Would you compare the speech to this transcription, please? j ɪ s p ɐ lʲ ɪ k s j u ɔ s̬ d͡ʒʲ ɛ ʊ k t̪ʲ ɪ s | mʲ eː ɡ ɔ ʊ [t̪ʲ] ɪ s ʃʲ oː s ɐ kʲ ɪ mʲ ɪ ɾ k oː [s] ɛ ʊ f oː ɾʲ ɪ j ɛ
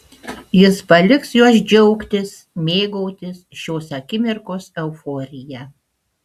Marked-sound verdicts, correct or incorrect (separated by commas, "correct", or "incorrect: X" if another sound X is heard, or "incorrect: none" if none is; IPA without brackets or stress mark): correct, correct